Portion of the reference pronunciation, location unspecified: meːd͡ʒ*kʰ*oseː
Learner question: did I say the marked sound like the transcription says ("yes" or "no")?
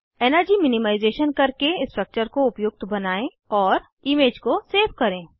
no